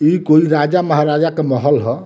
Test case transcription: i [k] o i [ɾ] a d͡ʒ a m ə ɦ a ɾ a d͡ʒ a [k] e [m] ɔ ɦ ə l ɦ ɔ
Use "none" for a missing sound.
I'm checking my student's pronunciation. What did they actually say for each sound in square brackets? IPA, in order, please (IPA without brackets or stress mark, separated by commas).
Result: k, ɾ, k, m